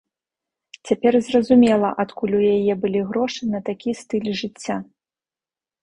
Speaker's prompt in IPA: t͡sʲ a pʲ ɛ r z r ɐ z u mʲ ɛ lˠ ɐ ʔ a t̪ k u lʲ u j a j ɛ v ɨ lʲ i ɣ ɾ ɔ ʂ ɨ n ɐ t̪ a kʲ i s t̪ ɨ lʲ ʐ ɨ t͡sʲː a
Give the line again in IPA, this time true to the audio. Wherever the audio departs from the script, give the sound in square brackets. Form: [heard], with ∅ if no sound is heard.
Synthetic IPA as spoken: t͡sʲ a pʲ ɛ r z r ɐ z u mʲ ɛ lˠ ɐ ʔ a t̪ k u lʲ u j a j ɛ [b] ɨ lʲ i ɣ ɾ ɔ ʂ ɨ n ɐ t̪ a kʲ i s t̪ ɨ lʲ ʐ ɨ t͡sʲː a